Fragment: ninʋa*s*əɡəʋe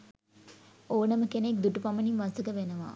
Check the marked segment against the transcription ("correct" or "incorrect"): correct